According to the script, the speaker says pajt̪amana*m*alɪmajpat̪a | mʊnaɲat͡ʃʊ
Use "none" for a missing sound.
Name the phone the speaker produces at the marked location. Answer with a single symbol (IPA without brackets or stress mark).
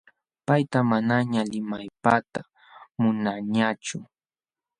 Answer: ɲ